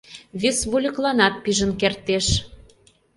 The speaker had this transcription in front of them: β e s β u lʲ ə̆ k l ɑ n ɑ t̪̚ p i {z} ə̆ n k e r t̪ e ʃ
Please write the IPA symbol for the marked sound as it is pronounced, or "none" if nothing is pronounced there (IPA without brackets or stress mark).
ʒ